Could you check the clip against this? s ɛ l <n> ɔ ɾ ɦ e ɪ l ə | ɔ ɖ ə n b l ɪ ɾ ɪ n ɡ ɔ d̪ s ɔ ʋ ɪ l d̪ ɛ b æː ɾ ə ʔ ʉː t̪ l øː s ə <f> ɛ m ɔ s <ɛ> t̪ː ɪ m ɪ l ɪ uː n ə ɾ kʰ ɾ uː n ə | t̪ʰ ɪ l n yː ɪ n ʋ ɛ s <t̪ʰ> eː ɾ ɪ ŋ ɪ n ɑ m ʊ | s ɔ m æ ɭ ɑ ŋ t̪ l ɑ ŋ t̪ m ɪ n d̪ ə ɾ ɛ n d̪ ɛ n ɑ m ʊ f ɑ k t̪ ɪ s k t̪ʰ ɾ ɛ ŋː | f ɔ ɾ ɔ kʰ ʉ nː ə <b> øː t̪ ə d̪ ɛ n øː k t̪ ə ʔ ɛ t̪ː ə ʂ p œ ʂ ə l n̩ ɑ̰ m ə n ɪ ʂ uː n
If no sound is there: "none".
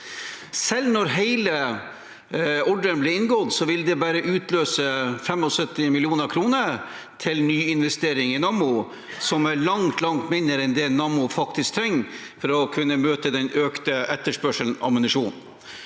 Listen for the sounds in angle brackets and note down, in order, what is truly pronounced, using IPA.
n, f, œ, t̪, m

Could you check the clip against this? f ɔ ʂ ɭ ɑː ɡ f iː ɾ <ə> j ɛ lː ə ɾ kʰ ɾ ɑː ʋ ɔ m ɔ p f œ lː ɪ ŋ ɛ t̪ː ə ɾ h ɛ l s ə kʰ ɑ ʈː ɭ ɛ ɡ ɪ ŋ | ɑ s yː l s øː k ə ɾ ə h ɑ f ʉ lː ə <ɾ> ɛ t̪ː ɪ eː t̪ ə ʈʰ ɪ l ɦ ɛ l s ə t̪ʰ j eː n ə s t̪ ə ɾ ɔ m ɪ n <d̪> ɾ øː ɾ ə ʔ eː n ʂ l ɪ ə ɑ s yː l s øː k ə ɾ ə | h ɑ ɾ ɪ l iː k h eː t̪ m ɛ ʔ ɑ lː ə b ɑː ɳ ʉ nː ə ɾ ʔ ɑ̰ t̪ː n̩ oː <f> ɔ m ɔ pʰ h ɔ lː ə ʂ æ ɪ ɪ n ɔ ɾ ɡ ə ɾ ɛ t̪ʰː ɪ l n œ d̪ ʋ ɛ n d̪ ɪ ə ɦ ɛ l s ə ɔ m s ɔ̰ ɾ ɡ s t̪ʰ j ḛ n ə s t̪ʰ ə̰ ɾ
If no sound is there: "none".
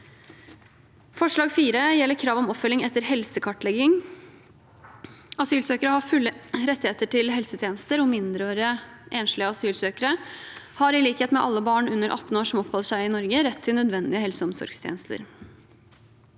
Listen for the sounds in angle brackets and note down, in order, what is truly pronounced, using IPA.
ə, ɾ, d̪, ʂ

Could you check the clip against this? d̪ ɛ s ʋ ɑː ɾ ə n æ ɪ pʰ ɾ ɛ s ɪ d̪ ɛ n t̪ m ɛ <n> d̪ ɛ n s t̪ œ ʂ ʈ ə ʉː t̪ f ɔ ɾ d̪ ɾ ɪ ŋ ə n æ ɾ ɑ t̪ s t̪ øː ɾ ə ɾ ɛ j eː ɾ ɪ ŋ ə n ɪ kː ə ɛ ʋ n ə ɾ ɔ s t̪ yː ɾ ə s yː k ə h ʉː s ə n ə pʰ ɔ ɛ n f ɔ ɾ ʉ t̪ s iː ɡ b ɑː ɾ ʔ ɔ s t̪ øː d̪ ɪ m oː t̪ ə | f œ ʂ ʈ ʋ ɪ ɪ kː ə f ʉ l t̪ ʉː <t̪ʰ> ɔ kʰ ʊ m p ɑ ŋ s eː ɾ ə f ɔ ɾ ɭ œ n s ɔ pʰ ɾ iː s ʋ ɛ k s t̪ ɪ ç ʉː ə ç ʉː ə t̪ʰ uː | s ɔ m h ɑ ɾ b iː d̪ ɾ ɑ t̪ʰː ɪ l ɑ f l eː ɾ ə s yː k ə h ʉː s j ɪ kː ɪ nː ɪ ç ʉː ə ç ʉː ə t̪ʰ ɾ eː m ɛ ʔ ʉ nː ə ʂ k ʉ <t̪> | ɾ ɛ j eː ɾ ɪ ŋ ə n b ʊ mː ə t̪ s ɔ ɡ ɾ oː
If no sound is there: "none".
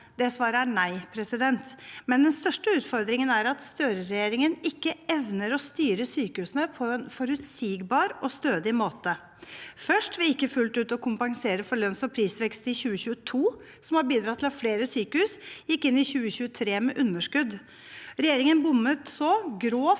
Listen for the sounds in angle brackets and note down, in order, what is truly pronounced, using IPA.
n, t̪, d̪

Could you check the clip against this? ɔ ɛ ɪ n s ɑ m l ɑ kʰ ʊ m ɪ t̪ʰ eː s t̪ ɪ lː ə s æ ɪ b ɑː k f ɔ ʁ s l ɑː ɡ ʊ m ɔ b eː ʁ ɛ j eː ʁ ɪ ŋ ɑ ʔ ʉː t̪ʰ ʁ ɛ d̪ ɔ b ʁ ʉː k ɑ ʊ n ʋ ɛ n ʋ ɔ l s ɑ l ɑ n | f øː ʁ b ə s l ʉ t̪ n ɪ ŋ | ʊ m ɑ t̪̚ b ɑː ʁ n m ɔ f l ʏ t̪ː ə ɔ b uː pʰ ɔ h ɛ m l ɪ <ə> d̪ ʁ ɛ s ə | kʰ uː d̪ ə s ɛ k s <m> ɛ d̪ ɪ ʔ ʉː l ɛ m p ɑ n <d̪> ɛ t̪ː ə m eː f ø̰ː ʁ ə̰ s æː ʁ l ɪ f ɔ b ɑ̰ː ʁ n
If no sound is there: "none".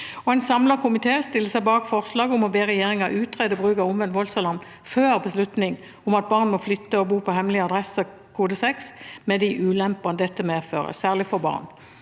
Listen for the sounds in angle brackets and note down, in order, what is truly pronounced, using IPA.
ɑ, m, d̪

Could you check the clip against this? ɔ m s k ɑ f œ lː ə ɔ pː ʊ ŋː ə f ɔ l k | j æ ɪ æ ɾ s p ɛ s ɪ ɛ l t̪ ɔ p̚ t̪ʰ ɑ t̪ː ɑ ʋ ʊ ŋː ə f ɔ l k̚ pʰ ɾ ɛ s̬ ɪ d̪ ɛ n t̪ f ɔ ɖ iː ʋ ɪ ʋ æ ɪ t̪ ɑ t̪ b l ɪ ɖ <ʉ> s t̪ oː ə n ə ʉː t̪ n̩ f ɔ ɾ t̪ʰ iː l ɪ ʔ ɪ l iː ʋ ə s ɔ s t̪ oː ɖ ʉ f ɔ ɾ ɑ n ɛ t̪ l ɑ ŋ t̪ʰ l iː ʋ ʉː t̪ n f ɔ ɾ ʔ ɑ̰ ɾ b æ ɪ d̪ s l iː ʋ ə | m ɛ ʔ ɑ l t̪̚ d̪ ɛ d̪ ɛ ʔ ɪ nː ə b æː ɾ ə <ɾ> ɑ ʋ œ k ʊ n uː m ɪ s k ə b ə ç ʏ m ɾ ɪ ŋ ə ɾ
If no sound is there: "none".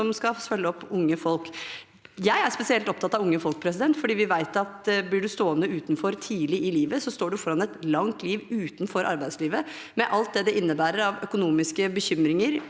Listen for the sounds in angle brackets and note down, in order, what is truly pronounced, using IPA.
ʉ, ɾ

